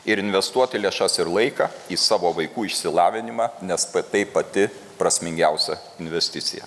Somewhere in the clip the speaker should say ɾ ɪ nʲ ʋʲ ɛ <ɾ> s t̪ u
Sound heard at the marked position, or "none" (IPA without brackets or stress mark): none